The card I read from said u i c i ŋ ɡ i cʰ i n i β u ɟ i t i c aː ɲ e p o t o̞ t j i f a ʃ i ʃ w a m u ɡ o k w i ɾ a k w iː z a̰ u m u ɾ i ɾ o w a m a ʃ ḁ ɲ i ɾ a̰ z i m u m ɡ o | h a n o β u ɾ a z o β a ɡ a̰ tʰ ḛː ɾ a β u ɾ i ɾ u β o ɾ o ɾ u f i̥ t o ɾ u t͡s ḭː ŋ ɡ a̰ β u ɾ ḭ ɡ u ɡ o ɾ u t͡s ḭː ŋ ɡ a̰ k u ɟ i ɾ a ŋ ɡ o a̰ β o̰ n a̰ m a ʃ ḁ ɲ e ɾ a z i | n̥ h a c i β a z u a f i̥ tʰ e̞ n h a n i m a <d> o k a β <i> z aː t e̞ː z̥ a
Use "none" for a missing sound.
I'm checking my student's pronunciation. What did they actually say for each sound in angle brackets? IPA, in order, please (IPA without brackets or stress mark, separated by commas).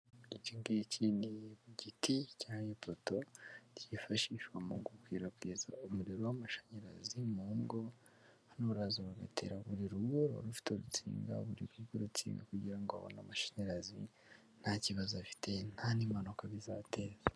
n, i